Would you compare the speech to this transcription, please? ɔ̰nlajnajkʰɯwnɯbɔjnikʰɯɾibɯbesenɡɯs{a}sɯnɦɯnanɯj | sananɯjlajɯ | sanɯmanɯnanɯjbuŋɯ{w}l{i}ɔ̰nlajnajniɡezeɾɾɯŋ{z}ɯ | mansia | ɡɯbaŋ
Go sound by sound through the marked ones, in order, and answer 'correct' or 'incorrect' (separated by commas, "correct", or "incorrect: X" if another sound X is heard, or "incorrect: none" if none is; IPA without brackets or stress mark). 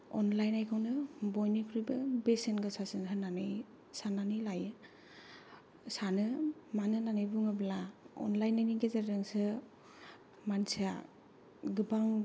correct, incorrect: b, incorrect: a, incorrect: s